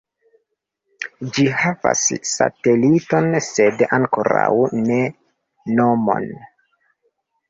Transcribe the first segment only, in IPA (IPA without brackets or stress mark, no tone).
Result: d͡ʒ